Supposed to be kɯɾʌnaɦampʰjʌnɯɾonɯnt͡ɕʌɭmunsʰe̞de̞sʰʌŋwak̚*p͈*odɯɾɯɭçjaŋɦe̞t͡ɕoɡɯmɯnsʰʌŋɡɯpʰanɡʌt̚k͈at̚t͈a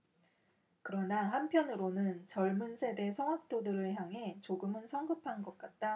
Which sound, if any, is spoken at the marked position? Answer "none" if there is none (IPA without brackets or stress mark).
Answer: t͈